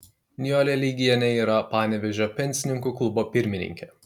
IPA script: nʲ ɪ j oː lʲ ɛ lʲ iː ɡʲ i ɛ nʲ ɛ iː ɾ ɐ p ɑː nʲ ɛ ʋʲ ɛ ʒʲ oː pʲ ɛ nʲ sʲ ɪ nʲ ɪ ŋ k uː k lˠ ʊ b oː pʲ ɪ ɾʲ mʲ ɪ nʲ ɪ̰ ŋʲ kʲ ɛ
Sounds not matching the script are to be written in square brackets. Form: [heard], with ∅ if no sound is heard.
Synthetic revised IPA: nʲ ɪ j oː lʲ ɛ lʲ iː ɡʲ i ɛ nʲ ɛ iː ɾ ɐ p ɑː nʲ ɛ ʋʲ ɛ ʒʲ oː pʲ ɛ nʲ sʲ ɪ nʲ ɪ ŋ k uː k lˠ ʊ b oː pʲ ɪ ɾʲ mʲ ɪ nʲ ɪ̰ ŋʲ kʲ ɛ